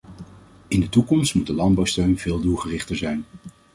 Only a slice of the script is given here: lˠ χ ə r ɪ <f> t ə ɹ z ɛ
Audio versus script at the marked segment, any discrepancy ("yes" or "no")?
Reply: yes